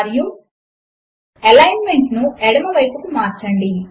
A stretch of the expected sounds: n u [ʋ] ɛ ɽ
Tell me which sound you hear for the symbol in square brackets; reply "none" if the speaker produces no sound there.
none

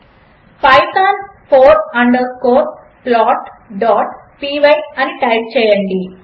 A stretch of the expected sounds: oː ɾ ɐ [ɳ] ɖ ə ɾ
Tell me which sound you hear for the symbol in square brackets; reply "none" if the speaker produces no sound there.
ɳ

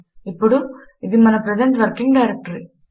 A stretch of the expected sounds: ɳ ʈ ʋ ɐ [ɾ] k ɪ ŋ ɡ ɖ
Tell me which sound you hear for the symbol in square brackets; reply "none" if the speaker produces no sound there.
ɾ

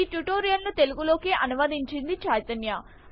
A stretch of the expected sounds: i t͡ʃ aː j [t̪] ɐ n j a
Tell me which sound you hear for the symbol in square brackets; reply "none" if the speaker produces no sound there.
t̪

